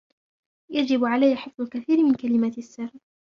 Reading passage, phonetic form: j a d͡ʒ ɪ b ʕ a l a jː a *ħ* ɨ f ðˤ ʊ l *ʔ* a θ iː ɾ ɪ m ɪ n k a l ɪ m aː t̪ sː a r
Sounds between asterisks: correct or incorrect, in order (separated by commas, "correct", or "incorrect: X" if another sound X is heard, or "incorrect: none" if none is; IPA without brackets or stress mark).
correct, incorrect: k